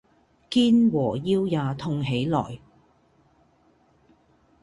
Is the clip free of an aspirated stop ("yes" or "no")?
no